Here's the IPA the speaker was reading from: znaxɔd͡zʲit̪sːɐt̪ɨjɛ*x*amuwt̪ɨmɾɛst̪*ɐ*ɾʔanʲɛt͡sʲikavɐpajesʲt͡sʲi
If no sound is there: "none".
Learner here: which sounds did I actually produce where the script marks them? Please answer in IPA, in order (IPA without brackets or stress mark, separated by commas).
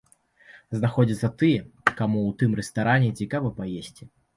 k, a